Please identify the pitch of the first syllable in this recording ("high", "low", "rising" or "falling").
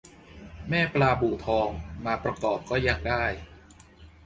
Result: falling